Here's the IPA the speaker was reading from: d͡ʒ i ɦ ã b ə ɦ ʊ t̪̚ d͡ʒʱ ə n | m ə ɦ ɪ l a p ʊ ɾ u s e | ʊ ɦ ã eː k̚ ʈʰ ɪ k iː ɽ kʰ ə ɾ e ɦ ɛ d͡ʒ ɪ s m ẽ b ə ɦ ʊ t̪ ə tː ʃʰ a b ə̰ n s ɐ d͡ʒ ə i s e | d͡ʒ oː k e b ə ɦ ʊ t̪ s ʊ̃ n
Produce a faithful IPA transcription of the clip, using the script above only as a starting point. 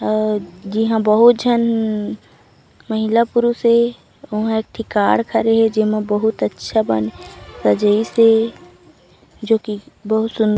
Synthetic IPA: d͡ʒ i ɦ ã b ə ɦ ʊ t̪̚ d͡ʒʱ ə n | m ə ɦ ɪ l a p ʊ ɾ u s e | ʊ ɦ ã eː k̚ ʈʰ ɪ k aː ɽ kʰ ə ɾ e ɦ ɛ d͡ʒ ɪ m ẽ b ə ɦ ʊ t̪ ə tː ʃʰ a b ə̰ n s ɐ d͡ʒ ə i s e | d͡ʒ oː k i b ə ɦ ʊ t̪ s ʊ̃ n